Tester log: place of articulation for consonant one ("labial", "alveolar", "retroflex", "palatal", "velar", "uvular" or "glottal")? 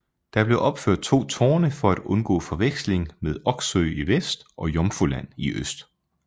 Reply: alveolar